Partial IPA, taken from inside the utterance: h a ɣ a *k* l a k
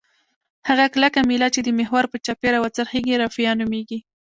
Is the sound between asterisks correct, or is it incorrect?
correct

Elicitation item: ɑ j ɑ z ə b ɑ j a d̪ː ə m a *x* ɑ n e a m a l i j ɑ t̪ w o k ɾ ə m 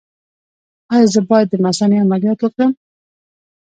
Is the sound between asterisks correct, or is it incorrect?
incorrect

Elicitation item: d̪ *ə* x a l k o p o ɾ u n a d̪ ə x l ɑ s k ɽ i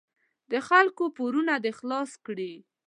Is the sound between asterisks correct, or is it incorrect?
correct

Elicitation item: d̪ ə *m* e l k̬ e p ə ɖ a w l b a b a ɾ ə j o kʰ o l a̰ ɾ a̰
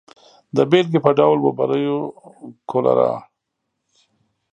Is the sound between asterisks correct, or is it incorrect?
incorrect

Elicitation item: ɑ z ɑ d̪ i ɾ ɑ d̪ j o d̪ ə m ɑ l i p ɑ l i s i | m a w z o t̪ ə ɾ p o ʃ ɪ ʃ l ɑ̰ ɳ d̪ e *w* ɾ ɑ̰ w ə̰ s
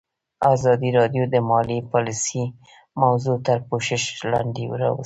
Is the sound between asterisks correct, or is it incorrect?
correct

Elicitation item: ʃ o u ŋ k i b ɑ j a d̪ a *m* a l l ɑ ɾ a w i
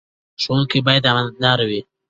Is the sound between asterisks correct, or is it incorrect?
correct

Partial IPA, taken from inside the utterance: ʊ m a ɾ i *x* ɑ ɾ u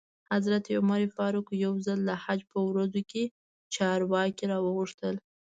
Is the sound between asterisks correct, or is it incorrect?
incorrect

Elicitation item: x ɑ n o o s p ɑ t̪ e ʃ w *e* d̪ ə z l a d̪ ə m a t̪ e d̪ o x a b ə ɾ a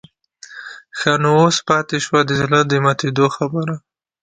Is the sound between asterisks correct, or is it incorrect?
incorrect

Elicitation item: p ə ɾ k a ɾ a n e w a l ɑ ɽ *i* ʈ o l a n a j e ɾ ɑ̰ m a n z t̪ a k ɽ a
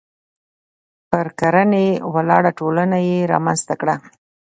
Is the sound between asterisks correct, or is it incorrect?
incorrect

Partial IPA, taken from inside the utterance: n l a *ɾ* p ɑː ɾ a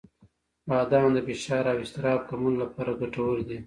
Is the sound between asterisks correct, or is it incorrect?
incorrect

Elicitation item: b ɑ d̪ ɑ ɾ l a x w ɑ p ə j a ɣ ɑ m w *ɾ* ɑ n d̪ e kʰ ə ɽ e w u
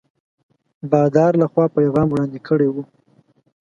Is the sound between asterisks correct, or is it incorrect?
incorrect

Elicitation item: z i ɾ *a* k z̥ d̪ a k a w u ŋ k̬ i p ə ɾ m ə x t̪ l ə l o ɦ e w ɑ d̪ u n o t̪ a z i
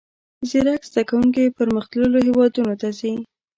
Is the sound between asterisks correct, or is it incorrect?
correct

